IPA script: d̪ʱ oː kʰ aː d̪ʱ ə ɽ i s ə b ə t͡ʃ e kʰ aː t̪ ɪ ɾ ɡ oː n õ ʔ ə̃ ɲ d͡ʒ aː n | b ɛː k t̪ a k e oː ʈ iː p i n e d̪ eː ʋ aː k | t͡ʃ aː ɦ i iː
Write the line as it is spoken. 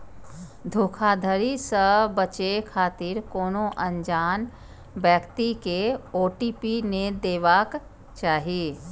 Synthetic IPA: d̪ʱ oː kʰ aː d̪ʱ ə ɾ i s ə b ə t͡ʃ e kʰ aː t̪ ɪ ɾ k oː n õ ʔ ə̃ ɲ d͡ʒ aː n | b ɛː k t̪ i k e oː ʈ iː p i n e d̪ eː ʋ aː k | t͡ʃ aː ɦ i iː

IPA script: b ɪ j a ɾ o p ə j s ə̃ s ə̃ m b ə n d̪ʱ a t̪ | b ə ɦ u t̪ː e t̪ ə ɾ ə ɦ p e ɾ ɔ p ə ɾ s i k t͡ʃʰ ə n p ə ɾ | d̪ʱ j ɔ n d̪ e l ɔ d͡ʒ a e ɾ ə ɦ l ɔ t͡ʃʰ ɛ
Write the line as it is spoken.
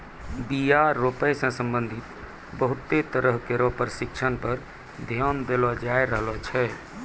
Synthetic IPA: b i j a ɾ o p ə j s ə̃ s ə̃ m b ə n d̪ʱ i t̪ | b ə ɦ u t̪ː e t̪ ə ɾ ə ɦ k e ɾ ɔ p ə ɾ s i k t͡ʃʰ ə n p ə ɾ | d̪ʱ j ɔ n d̪ e l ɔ d͡ʒ a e ɾ ə ɦ l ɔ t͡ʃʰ ɛ

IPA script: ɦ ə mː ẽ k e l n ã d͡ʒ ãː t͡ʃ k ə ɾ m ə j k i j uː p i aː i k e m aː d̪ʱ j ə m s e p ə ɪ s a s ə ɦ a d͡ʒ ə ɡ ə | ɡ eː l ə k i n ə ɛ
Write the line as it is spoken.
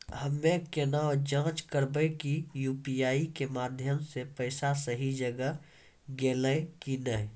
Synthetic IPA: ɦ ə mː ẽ k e n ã d͡ʒ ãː t͡ʃ k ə ɾ b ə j k i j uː p i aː i k e m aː d̪ʱ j ə m s e p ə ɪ s a s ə ɦ i d͡ʒ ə ɡ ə | ɡ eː l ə k i n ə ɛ

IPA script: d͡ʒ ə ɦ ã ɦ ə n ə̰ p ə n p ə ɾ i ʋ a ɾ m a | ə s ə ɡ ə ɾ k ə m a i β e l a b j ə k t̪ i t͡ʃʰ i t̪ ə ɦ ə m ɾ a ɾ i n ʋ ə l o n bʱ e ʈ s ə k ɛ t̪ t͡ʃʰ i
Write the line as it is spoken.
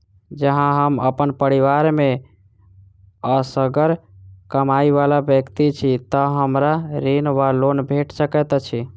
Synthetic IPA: d͡ʒ ə ɦ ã ɦ ə m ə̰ p ə n p ə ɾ i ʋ a ɾ m e | ə s ə ɡ ə ɾ k ə m a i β a l a b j ə k t̪ i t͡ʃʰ i t̪ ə ɦ ə m ɾ a ɾ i n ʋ a l o n bʱ e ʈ s ə k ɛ t̪ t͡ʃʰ i

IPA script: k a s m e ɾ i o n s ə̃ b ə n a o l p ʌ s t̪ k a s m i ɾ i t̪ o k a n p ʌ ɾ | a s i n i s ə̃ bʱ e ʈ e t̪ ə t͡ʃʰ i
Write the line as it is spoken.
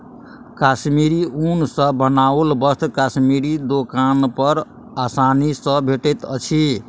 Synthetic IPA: k a s m i ɾ i u n s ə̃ b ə n a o l b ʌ s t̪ k a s m i ɾ i d̪ o k a n p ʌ ɾ | a s a n i s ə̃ bʱ e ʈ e t̪ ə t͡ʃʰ i

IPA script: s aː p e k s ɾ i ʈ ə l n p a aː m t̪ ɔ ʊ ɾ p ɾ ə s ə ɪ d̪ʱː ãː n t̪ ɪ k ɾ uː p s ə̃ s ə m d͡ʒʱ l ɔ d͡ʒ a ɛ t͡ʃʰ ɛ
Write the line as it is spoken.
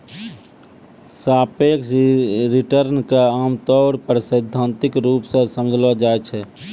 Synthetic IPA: s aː p e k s ɾ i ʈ ə ɾ n k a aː m t̪ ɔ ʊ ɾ p ɾ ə s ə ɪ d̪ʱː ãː n t̪ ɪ k ɾ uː p s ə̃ s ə m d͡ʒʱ l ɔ d͡ʒ a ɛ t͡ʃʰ ɛ

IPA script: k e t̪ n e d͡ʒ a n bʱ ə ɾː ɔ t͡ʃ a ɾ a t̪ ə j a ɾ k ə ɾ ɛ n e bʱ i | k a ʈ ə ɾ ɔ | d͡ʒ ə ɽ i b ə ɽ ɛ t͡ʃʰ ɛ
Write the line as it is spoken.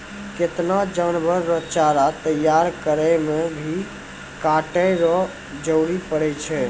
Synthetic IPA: k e t̪ n a d͡ʒ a n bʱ ə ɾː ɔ t͡ʃ a ɾ a t̪ ə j a ɾ k ə ɾ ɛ m e bʱ i | k a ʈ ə ɾ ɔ | d͡ʒ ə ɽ i p ə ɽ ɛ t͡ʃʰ ɛ

